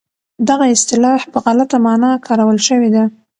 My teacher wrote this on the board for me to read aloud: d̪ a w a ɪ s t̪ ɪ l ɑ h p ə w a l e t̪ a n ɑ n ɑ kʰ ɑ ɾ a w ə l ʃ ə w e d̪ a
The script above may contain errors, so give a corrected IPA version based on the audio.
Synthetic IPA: d̪ a ɣ a ɪ s t̪ ɪ l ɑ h p ə ɣ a l a t̪ a m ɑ n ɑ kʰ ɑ ɾ a w ə l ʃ ə w e d̪ a